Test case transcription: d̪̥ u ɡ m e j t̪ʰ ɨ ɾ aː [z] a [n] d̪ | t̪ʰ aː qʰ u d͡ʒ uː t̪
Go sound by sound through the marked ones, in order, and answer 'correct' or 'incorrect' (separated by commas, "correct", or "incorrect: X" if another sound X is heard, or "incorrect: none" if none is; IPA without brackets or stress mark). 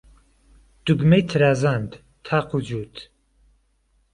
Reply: correct, correct